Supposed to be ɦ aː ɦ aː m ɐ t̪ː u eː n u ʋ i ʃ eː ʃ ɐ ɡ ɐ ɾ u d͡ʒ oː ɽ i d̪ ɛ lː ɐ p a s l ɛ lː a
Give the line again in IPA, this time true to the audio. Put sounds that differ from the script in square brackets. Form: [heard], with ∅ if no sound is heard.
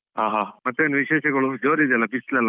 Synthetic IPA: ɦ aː ɦ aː m ɐ t̪ː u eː n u ʋ i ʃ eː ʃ ɐ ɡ ɐ [ɭ] u d͡ʒ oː [ɾ] i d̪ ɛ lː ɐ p [i] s l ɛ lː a

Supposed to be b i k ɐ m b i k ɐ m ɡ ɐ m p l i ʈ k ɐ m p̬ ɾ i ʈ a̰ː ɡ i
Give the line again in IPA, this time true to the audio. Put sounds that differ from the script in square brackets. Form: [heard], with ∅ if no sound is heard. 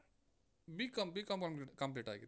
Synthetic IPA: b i k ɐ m b i k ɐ m [k] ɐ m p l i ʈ k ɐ m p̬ [l] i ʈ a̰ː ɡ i

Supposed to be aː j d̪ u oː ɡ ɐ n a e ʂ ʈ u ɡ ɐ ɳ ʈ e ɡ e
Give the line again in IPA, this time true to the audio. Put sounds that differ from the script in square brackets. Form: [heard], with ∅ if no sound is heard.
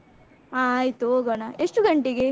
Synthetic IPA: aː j [t̪] u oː ɡ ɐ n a e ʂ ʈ u ɡ ɐ ɳ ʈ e ɡ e

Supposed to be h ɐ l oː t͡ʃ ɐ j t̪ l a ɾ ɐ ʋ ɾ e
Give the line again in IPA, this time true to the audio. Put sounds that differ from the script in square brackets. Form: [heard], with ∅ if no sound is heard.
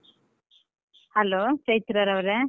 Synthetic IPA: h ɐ l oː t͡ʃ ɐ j t̪ [ɾ] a ɾ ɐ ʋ ɾ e

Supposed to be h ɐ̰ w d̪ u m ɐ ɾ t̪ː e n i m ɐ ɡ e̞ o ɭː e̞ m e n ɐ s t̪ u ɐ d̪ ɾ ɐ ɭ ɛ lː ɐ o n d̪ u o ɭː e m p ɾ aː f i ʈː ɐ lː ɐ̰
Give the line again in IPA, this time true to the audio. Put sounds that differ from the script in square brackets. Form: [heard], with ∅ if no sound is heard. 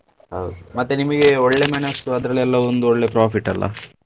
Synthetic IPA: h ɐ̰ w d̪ u m ɐ [∅] t̪ː e n i m ɐ ɡ e̞ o ɭː e̞ m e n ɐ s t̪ u ɐ d̪ ɾ ɐ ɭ ɛ lː ɐ o n d̪ u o ɭː e [∅] p ɾ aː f i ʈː ɐ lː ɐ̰

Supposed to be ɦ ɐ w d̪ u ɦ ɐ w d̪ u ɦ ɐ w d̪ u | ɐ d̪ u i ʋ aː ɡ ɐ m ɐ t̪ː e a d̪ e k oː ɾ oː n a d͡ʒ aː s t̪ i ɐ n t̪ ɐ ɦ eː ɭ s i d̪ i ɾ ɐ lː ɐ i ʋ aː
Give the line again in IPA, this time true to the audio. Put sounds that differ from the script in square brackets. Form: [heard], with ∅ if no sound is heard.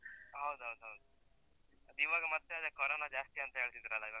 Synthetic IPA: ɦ ɐ w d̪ u ɦ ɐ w d̪ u ɦ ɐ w d̪ u | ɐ d̪ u i ʋ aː ɡ ɐ m ɐ t̪ː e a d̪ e k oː ɾ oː n a d͡ʒ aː s t̪ i ɐ n t̪ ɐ ɦ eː ɭ s i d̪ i ɾ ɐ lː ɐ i ʋ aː

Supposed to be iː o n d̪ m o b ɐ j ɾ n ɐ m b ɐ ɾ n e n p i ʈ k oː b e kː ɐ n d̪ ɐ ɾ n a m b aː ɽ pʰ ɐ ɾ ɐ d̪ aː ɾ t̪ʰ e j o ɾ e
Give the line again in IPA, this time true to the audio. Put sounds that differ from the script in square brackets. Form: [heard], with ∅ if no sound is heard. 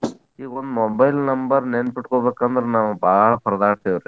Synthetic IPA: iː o n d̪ m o b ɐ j [l] n ɐ m b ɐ ɾ n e n p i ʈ k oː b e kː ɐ n d̪ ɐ ɾ n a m b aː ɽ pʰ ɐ ɾ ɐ d̪ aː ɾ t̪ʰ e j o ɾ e

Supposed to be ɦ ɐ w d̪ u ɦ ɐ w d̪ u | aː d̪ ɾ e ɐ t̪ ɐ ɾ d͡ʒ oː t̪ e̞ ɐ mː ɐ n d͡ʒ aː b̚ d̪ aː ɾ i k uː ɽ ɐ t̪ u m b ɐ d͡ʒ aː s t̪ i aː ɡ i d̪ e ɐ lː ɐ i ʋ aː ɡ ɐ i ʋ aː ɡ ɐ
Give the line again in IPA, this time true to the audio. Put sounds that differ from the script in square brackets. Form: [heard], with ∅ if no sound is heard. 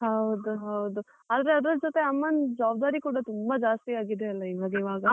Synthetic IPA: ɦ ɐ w d̪ u ɦ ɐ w d̪ u | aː d̪ ɾ e ɐ [d̪] ɐ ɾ d͡ʒ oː t̪ e̞ ɐ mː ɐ n d͡ʒ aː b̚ d̪ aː ɾ i k uː ɽ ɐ t̪ u m b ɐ d͡ʒ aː s t̪ i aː ɡ i d̪ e ɐ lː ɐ i ʋ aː ɡ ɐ i ʋ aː ɡ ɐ

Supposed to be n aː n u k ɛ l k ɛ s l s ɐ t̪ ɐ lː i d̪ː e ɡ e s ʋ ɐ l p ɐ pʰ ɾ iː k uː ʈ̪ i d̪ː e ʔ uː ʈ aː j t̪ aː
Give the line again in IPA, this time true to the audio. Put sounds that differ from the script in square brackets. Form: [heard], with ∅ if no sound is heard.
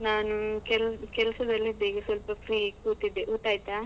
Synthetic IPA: n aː n u k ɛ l k ɛ [∅] l s ɐ [d̪] ɐ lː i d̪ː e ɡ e s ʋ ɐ l p ɐ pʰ ɾ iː k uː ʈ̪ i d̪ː e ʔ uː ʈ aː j t̪ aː

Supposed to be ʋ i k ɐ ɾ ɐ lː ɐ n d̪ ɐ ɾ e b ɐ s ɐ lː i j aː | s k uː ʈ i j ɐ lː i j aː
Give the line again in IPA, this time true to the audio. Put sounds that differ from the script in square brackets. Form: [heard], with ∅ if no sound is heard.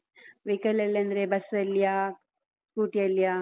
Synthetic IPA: ʋ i k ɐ [l] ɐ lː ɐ n d̪ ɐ ɾ e b ɐ s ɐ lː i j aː | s k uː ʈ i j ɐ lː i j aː

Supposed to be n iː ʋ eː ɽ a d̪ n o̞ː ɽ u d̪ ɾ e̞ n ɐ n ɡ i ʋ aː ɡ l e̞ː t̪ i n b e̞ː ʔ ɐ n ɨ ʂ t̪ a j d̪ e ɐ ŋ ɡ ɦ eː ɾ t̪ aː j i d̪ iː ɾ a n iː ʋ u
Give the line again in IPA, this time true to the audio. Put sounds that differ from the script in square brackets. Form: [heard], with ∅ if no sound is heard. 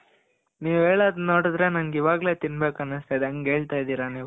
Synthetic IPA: n iː ʋ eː [ɭ] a d̪ n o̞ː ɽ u d̪ ɾ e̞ n ɐ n ɡ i ʋ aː ɡ l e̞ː t̪ i n b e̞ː [k] ɐ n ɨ [s] t̪ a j d̪ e ɐ ŋ ɡ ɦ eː [ɭ] t̪ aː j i d̪ iː ɾ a n iː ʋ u

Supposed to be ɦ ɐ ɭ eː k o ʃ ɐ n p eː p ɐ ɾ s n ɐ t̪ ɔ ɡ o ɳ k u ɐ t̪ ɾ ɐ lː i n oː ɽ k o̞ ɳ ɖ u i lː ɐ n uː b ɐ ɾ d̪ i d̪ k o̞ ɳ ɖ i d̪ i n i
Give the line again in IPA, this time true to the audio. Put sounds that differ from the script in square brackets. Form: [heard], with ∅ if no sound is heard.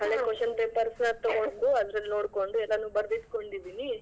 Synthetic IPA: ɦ ɐ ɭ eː k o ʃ ɐ n p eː p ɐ ɾ s n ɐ t̪ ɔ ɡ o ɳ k u ɐ [d̪] ɾ ɐ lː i n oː ɽ k o̞ ɳ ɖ u [ɛ] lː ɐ n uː b ɐ ɾ d̪ i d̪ k o̞ ɳ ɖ i d̪ i n i

